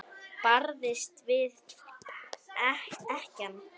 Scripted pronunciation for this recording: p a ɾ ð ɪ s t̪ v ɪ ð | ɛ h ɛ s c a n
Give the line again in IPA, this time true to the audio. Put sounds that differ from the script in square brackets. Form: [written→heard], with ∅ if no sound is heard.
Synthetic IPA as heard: p a ɾ ð ɪ s t̪ v ɪ ð | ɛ h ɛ [s→h] c a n

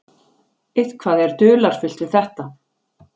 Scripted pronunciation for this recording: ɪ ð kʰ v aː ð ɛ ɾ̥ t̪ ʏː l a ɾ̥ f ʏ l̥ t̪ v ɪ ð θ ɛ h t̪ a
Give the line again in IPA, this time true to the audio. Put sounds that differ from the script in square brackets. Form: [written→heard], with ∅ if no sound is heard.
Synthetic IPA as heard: ɪ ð kʰ v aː ð ɛ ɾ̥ t̪ ʏː l a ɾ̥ f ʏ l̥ t̪ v ɪ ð θ ɛ h t̪ a

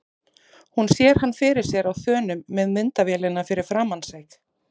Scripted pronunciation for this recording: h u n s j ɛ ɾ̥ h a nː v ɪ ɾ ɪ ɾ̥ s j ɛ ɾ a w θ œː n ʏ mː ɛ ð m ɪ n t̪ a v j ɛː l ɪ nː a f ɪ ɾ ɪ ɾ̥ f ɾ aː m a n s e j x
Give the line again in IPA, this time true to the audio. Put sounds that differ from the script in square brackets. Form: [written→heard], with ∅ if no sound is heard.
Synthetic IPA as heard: h u n s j ɛ ɾ̥ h a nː [v→f] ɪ ɾ ɪ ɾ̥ s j ɛ ɾ a w θ œː n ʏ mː ɛ ð m ɪ n t̪ a v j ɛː l ɪ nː a f ɪ ɾ ɪ ɾ̥ f ɾ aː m a n s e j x

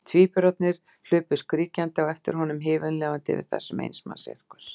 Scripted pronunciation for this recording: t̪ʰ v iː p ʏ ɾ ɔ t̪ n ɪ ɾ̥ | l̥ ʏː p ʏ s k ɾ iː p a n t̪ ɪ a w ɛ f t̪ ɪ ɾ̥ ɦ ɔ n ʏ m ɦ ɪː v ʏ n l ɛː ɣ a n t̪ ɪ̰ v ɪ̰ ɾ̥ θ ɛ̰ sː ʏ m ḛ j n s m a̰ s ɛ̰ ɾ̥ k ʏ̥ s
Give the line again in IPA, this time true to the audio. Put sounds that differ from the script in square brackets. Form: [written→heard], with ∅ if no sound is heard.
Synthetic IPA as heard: t̪ʰ v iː p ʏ ɾ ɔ t̪ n ɪ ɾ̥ | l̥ ʏː p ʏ s k ɾ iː [p→c] a n t̪ ɪ a w ɛ f t̪ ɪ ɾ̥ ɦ ɔ n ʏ m ɦ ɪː v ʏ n l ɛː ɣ a n t̪ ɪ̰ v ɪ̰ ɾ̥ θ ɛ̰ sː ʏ m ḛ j n s m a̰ s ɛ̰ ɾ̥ k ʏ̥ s

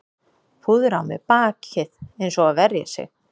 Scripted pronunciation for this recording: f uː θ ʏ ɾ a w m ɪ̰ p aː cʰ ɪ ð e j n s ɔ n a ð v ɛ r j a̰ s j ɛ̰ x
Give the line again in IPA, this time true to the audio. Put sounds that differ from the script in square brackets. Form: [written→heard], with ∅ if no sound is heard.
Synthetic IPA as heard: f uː [θ→ð] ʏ ɾ a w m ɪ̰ p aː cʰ ɪ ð e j n s ɔ [n→∅] a ð v ɛ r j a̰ s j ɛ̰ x

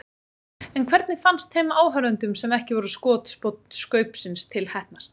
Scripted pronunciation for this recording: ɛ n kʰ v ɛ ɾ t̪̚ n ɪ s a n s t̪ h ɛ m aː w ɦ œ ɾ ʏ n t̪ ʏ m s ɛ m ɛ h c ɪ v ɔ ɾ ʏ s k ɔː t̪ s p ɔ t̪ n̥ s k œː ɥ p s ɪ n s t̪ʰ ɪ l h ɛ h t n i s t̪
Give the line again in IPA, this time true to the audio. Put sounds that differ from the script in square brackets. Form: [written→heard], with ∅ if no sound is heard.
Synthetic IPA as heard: ɛ n kʰ v ɛ ɾ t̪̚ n ɪ [s→f] a n s t̪ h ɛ m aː w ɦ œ ɾ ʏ n t̪ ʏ m s ɛ m ɛ h c ɪ v ɔ ɾ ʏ s k ɔː t̪ s p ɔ t̪ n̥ s k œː ɥ p s ɪ n s t̪ʰ ɪ l h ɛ h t n [i→a] s t̪

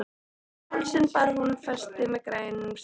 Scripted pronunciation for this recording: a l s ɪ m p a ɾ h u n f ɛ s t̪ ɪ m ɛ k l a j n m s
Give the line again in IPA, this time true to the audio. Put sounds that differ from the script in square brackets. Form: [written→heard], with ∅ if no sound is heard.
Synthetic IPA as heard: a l s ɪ [m→n] p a ɾ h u n f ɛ s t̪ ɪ m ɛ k [l→ɾ] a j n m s

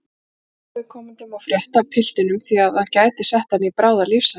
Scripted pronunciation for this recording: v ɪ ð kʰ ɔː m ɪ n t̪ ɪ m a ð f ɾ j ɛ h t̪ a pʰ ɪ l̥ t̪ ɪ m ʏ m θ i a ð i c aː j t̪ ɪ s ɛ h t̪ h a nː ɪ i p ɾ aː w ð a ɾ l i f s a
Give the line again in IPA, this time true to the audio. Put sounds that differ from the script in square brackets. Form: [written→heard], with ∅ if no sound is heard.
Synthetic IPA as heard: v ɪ ð kʰ ɔː m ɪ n t̪ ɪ m a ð f ɾ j ɛ h t̪ a pʰ ɪ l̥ t̪ ɪ [m→n] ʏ m θ i a ð [i→a] c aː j t̪ ɪ s ɛ h t̪ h a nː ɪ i p ɾ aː w ð a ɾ l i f s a

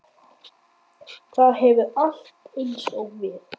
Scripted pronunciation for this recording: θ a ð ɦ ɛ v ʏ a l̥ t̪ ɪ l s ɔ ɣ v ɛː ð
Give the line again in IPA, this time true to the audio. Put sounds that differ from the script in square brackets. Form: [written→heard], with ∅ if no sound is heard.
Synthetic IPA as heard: θ a ð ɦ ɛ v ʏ a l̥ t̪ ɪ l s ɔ ɣ v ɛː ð

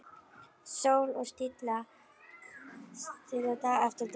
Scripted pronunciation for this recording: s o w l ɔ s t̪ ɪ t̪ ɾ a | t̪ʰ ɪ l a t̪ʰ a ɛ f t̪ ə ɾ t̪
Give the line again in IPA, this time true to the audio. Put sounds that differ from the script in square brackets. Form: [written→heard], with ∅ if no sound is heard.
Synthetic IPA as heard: s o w l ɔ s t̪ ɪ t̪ [ɾ→l] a | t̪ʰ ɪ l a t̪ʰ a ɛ f t̪ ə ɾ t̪

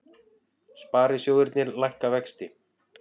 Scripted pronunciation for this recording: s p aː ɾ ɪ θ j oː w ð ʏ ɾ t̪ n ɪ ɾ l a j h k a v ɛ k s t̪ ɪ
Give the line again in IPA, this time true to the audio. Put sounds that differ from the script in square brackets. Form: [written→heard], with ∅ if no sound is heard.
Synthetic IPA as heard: s p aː ɾ ɪ [θ→s] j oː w ð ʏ ɾ t̪ n ɪ ɾ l a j h k a v ɛ k s t̪ ɪ

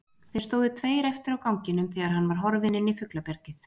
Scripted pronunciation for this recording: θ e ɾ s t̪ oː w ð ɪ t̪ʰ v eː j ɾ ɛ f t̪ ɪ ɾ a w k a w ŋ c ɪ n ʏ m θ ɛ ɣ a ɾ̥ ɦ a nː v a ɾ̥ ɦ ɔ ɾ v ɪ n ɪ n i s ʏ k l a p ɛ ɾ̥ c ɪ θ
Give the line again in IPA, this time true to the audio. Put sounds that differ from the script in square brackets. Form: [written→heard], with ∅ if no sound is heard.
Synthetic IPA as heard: θ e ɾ s t̪ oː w ð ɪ t̪ʰ v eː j ɾ ɛ f t̪ ɪ ɾ a w k a w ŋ c ɪ n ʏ m θ ɛ ɣ a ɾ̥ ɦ a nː v a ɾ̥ ɦ ɔ ɾ v ɪ n ɪ n i [s→f] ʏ k l a p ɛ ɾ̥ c ɪ θ

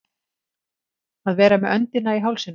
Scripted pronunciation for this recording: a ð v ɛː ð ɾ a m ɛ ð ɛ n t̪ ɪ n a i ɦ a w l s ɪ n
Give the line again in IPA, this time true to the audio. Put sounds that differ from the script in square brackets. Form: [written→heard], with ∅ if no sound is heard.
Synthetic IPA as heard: a ð v ɛː [ð→∅] ɾ a m ɛ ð [ɛ→œ] n t̪ ɪ n a i ɦ a w l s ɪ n

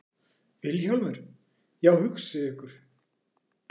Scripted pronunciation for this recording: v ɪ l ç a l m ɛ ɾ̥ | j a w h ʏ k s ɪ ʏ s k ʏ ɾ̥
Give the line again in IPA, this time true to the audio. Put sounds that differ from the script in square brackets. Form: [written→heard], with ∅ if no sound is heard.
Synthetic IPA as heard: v ɪ l ç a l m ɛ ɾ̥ | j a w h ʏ k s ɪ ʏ [s→h] k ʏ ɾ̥

